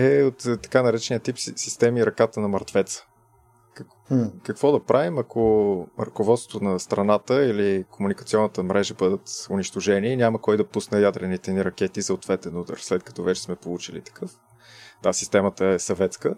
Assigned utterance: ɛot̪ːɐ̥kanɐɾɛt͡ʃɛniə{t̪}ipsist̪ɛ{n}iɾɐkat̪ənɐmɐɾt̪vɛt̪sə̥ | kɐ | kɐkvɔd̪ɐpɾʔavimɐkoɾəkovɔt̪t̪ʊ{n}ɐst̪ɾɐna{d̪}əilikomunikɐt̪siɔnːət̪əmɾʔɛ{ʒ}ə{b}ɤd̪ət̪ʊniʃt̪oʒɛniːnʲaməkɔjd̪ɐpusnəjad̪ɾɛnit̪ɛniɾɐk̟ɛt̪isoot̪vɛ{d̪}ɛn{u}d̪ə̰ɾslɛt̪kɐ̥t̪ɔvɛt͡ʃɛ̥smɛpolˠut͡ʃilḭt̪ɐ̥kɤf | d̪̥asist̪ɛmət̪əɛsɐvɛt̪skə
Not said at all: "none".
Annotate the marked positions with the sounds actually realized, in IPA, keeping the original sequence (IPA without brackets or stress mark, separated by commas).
t̪, m, n, t̪, ʒ, b, t̪, u